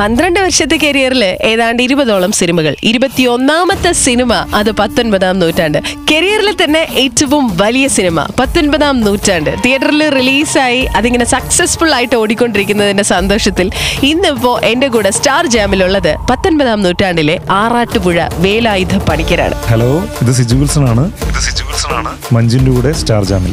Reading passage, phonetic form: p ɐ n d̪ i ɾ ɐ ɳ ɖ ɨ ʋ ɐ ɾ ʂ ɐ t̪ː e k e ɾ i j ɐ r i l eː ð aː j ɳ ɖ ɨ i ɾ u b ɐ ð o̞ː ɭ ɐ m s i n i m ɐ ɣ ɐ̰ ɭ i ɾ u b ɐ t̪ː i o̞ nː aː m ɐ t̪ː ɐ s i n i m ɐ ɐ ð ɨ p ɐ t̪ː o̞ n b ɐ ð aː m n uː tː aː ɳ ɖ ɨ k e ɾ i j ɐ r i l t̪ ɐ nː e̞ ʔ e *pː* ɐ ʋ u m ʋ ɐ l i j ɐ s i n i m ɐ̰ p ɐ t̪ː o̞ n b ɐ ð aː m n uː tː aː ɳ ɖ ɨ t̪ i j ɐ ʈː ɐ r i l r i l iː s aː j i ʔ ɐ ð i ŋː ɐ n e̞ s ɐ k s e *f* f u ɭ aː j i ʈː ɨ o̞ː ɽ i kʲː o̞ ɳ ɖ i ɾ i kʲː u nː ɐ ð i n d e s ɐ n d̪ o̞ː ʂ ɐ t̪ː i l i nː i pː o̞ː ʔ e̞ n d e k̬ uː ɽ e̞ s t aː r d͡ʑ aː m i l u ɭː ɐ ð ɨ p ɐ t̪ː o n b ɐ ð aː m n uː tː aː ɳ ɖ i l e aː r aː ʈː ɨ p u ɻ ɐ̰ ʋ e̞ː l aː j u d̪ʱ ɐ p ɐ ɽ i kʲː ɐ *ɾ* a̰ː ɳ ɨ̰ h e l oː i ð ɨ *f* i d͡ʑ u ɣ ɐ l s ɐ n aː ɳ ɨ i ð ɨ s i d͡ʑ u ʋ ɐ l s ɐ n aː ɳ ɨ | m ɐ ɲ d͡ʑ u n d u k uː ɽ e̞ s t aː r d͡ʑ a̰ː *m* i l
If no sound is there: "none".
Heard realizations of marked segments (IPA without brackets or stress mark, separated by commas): tː, s, ɾ, s, m